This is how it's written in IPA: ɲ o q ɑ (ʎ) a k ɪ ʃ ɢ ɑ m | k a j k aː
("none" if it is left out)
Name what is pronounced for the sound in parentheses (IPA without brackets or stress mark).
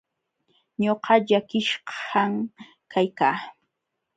ʎ